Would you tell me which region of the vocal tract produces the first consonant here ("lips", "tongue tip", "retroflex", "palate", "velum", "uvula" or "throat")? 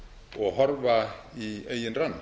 velum